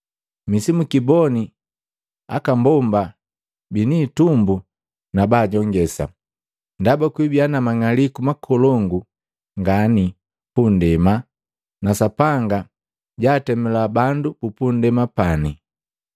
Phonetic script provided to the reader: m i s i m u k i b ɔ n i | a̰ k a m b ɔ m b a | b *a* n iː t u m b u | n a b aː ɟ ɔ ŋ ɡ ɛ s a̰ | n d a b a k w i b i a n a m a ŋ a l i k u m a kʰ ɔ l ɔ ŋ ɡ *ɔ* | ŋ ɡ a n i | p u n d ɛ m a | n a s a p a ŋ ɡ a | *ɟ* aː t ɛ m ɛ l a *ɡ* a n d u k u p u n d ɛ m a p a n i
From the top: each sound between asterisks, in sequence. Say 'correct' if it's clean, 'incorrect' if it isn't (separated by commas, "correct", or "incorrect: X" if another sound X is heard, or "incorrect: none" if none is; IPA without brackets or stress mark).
incorrect: i, incorrect: u, correct, incorrect: b